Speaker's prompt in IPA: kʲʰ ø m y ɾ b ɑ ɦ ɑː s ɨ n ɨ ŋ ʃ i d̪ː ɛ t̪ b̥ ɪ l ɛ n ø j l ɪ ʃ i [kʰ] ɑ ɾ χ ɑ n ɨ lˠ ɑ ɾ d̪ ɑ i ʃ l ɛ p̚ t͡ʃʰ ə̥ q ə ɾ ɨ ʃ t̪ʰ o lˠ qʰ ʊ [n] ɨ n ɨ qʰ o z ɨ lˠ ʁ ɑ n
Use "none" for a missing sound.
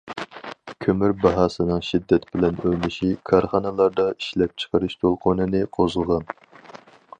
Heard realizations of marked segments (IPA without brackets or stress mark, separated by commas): kʰ, n